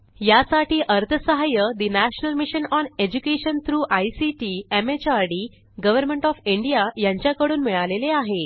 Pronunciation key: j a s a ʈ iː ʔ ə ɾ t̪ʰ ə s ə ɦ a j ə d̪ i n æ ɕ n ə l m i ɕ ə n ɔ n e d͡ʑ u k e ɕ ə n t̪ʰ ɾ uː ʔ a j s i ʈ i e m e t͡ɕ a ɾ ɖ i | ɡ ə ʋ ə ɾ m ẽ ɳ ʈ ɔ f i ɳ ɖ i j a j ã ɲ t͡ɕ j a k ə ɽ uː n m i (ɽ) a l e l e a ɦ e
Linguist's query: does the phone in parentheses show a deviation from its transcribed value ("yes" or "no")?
yes